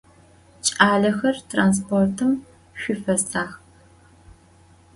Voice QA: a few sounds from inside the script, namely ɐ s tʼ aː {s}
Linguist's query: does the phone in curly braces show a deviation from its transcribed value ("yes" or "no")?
yes